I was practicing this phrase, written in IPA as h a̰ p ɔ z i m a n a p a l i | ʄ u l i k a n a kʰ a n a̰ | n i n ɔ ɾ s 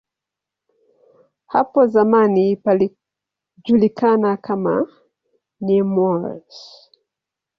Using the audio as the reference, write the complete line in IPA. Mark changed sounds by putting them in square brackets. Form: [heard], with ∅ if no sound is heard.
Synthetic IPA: h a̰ p ɔ z [a] m a n [i] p a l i | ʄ u l i k a n a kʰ a [m] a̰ | n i [m] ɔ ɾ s